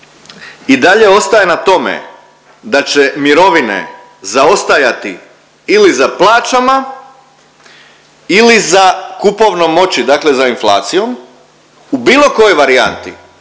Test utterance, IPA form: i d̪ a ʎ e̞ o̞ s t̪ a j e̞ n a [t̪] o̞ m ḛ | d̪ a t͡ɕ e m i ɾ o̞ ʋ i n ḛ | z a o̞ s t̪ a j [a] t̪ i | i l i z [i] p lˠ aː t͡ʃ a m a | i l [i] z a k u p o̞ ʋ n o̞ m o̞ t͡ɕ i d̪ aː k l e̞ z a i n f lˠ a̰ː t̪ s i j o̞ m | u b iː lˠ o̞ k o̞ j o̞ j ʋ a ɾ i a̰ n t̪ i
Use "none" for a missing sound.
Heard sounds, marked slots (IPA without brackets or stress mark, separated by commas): t̪, a, a, i